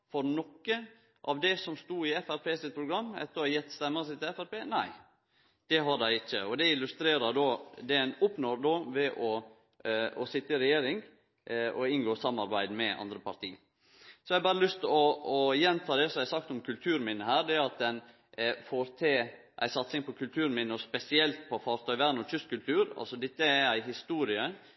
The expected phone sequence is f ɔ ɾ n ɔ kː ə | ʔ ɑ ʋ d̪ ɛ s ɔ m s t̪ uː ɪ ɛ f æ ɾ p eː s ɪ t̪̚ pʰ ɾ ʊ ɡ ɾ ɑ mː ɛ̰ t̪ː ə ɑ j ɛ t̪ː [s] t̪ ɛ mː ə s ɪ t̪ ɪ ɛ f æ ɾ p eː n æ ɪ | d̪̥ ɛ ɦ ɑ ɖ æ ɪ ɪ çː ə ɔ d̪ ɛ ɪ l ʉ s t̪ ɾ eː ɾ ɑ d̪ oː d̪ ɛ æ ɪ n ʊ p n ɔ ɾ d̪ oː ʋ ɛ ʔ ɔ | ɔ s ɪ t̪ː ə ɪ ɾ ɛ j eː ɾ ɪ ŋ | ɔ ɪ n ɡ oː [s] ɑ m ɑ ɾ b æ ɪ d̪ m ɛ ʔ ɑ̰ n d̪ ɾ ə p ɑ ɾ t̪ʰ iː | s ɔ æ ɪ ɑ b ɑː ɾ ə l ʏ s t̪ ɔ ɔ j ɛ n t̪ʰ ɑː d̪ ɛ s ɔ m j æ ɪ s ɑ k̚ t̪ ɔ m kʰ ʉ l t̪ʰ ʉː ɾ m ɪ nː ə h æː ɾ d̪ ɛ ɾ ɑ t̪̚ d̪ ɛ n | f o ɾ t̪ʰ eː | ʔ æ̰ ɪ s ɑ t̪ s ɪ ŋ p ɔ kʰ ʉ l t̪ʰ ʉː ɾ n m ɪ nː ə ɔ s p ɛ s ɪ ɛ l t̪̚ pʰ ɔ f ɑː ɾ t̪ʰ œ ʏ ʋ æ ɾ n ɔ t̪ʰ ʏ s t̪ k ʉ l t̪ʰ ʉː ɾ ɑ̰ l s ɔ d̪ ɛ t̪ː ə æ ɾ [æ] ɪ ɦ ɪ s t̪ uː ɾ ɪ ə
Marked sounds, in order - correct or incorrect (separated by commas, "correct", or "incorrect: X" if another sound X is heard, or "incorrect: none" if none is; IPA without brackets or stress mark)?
correct, correct, correct